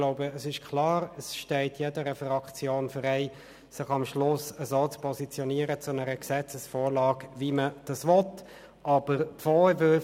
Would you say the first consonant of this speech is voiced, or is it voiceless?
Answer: voiced